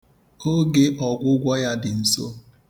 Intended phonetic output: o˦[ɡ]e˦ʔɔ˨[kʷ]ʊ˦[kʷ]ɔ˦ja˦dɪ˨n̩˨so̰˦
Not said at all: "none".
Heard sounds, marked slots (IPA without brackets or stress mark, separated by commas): ɡ, ɡʷ, ɡʷ